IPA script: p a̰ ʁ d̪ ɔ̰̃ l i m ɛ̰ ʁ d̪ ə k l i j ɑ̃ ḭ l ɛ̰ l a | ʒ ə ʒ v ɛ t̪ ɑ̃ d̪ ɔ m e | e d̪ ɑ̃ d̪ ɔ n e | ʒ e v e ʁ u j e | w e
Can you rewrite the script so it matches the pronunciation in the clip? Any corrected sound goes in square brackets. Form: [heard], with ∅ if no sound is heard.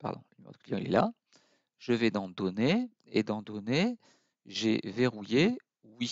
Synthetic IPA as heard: p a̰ ʁ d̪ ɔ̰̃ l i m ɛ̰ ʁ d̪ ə k l i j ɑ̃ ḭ l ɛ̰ l a | ʒ ə [∅] v ɛ [d̪] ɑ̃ d̪ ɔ [n] e | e d̪ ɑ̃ d̪ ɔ n e | ʒ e v e ʁ u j e | w [i]